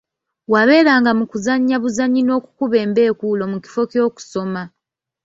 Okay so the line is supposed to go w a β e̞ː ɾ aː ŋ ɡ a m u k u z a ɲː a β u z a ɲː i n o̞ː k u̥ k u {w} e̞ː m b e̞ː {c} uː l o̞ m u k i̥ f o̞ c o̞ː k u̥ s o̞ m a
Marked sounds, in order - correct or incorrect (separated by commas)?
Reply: incorrect, incorrect